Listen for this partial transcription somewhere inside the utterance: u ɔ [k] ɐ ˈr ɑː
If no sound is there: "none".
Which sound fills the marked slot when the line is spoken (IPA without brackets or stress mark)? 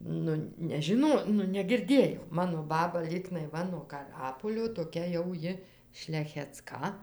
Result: k